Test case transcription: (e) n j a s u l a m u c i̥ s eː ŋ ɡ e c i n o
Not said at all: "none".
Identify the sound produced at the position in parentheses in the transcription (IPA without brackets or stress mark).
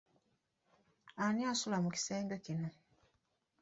a